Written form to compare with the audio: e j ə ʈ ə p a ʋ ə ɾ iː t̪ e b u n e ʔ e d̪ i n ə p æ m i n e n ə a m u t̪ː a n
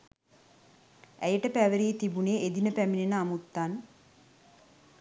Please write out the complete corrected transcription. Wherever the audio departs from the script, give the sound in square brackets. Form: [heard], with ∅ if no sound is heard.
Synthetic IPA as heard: [æ] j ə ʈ ə p [æ] ʋ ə ɾ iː t̪ [i] b u n e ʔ e d̪ i n ə p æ m i n e n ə a m u t̪ː a n